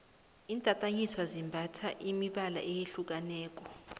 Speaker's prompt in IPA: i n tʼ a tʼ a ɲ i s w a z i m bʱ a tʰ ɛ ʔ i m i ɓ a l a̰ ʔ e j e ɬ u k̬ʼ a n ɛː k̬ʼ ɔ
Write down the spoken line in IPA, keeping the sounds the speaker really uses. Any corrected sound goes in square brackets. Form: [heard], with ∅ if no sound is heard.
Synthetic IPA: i n tʼ a tʼ a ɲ i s w a z i m bʱ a tʰ [a] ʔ i m i ɓ a l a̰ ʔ e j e ɬ u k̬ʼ a n ɛː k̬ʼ ɔ